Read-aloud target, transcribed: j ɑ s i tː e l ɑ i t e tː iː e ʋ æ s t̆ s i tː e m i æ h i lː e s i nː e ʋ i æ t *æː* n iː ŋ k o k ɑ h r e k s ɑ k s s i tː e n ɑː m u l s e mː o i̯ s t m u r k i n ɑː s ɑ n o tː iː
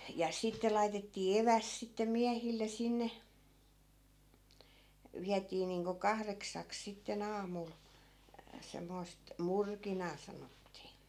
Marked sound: incorrect: iː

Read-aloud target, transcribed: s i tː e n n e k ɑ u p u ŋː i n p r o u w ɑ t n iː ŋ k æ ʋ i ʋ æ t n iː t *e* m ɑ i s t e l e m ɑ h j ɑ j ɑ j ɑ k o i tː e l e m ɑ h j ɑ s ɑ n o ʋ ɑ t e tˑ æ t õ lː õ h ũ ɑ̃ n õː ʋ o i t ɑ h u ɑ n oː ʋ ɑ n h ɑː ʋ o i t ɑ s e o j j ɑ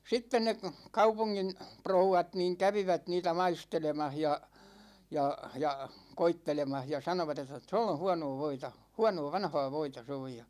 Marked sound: incorrect: æ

